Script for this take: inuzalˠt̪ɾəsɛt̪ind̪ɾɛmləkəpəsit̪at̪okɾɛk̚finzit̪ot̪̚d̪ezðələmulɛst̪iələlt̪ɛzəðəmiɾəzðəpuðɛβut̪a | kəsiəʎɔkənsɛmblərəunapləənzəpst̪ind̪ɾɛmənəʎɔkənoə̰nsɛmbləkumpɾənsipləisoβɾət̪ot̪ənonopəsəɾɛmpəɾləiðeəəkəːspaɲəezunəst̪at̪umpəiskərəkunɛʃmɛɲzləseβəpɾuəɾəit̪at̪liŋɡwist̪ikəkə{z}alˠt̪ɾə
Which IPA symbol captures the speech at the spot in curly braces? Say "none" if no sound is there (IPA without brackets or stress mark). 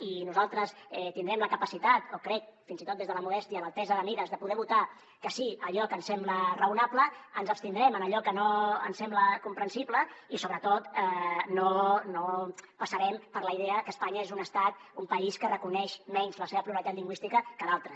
ð